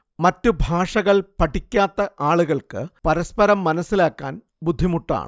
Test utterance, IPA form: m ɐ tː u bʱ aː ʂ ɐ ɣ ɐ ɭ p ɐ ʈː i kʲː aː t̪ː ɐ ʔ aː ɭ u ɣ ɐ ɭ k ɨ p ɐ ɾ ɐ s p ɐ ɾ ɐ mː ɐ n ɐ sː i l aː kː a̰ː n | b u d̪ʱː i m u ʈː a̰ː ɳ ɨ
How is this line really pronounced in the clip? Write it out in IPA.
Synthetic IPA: m ɐ tː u bʱ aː ʂ ɐ ɣ ɐ ɭ p ɐ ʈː i kʲː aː t̪ː ɐ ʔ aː ɭ u ɣ ɐ ɭ k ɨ p ɐ ɾ ɐ s p ɐ ɾ ɐ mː ɐ n ɐ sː i l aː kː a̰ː n | b u d̪ʱː i m u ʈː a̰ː ɳ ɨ